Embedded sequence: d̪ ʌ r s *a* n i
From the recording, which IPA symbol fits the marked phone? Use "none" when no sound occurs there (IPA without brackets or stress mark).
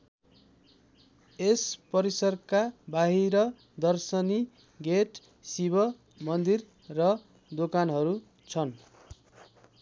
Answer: ʌ